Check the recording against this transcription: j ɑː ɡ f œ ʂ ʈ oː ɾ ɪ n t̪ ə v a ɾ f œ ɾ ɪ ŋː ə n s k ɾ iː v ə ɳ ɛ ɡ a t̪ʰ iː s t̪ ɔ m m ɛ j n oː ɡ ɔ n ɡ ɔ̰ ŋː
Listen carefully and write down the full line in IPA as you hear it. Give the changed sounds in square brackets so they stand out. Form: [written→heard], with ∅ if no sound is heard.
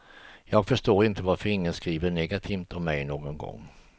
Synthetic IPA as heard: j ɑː ɡ f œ ʂ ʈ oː ɾ ɪ n t̪ ə v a ɾ f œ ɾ ɪ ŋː ə n s k ɾ iː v ə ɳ ɛ ɡ a t̪ʰ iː [s→f] t̪ ɔ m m ɛ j n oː ɡ ɔ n ɡ ɔ̰ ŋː